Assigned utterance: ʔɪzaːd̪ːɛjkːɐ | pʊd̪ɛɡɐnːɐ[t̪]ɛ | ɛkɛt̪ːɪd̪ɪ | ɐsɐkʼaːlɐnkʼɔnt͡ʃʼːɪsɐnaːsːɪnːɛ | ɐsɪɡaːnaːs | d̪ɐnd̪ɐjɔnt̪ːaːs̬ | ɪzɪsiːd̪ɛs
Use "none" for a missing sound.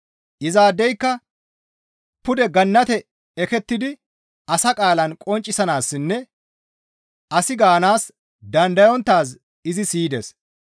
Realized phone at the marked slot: t̪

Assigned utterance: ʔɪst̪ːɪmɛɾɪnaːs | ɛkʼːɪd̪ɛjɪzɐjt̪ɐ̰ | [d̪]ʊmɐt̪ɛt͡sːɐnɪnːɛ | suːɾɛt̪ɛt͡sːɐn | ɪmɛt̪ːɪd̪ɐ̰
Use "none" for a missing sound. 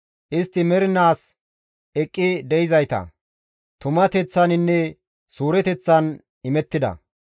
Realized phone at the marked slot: t̪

